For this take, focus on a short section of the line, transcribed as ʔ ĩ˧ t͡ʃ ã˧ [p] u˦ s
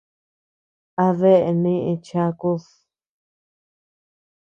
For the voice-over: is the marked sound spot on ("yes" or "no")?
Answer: no